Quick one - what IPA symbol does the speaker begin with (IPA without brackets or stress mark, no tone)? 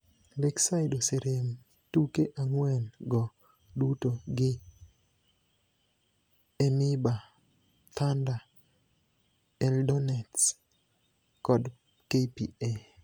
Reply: l